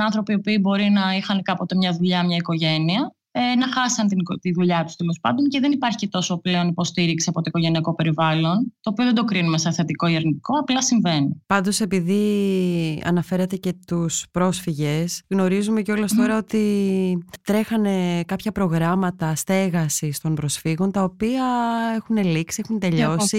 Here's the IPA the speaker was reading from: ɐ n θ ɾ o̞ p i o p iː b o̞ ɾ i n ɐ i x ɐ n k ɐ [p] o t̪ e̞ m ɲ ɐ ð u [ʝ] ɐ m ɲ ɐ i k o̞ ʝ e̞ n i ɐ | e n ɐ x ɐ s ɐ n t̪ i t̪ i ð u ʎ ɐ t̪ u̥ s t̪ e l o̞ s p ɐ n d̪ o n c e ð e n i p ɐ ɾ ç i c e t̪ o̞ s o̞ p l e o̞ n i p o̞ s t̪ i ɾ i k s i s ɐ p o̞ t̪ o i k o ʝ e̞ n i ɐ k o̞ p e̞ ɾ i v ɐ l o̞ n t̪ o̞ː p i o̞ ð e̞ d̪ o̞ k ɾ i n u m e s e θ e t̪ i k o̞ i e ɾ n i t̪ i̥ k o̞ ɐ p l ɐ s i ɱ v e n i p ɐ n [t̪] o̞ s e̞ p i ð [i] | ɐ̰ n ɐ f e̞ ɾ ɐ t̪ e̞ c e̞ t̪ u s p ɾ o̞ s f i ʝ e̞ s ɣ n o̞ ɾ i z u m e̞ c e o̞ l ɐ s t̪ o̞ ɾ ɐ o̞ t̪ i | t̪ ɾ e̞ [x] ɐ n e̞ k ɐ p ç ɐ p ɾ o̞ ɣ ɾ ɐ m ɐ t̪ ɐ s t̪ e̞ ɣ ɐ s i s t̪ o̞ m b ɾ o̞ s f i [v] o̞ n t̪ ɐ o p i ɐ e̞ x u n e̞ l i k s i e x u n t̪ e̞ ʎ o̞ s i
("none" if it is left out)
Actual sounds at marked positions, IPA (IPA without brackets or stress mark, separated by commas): p, ʎ, d̪, i, x, ɣ